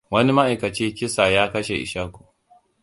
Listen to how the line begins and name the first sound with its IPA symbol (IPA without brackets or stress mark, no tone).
w